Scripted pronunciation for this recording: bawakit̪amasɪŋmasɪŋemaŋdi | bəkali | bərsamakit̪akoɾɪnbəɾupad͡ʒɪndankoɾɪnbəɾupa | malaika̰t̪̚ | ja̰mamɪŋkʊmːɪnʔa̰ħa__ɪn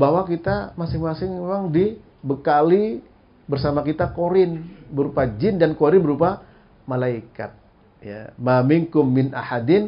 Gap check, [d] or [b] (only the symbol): d